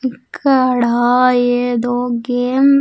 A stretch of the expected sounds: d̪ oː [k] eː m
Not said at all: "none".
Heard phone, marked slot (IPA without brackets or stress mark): ɡ